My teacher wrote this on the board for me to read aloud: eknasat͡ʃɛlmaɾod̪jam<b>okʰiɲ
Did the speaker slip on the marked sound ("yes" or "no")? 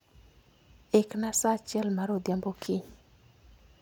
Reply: no